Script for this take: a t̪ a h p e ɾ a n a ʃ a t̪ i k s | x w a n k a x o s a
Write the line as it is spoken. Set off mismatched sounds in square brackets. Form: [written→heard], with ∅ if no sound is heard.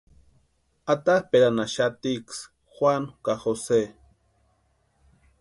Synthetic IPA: a t̪ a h p e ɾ a n a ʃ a t̪ i k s | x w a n k a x o s [a→e]